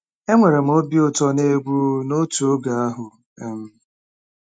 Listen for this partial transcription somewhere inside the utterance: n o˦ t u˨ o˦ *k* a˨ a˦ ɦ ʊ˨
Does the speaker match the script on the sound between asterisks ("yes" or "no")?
no